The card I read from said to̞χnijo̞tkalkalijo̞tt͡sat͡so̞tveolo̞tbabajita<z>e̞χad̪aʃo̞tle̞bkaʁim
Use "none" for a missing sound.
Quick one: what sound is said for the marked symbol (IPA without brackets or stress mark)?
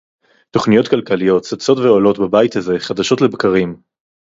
z